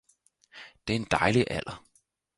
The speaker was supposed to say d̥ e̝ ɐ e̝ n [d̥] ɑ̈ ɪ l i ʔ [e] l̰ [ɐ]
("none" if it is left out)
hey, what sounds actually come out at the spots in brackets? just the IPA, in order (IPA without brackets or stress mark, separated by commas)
d̥, æ, ɐ